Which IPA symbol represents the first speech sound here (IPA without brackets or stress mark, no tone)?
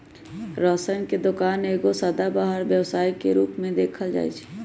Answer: ɾ